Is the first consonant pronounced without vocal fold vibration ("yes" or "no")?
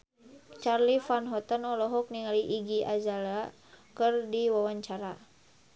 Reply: yes